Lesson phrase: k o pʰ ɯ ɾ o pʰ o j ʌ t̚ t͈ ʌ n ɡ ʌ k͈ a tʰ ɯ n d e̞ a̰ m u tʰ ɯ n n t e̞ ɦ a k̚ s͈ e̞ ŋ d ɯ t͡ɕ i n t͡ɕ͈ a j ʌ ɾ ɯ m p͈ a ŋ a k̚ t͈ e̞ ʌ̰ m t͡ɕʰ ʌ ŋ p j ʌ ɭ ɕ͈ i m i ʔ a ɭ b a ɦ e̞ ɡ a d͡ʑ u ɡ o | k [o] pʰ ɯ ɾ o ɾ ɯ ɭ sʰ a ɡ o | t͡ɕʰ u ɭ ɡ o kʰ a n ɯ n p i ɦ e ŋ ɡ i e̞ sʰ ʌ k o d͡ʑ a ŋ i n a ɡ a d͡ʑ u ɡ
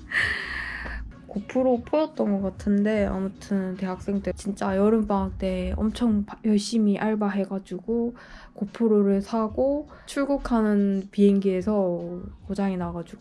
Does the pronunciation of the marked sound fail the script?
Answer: no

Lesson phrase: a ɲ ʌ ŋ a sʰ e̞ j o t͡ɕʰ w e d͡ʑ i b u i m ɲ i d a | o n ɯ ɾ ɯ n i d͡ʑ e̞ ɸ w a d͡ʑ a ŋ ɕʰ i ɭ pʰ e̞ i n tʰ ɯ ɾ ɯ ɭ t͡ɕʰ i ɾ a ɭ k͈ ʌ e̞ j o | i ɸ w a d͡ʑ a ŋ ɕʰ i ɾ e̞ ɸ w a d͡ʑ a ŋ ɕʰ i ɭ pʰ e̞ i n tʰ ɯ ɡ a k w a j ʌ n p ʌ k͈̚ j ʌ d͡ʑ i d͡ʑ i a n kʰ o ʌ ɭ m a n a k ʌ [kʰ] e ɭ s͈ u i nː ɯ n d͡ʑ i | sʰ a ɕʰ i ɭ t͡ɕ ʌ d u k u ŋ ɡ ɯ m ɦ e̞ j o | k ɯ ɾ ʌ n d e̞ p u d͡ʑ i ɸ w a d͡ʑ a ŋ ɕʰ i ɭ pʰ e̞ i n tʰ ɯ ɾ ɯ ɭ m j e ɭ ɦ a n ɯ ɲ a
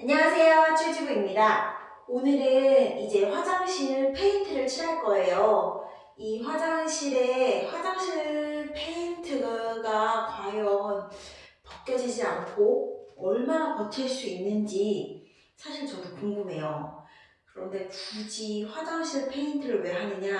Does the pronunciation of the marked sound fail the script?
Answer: yes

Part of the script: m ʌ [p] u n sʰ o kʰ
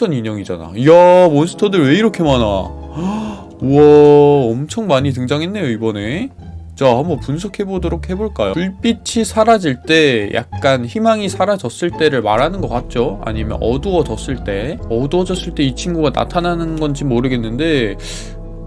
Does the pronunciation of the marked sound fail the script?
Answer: no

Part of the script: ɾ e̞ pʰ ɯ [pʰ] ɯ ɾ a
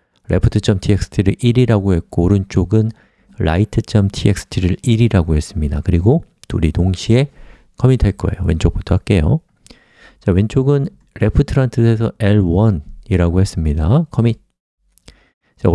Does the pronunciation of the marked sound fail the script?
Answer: yes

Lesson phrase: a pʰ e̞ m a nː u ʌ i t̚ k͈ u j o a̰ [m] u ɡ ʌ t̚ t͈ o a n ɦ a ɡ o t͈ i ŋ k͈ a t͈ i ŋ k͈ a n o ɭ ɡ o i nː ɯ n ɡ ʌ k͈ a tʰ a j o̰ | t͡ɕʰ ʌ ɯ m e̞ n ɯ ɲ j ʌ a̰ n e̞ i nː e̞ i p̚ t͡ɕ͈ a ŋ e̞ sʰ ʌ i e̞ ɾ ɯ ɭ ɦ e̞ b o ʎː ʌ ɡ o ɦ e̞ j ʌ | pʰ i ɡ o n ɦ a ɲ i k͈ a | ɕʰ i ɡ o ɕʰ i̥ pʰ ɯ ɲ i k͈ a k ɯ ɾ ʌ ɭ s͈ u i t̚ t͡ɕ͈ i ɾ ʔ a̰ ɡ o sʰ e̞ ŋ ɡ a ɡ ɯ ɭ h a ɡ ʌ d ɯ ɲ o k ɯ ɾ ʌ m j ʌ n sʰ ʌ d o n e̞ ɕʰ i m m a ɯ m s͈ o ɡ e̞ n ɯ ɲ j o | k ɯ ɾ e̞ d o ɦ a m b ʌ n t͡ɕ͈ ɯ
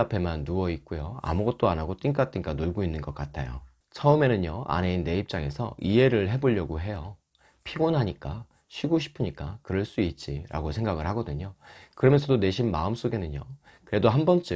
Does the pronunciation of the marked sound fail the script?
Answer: no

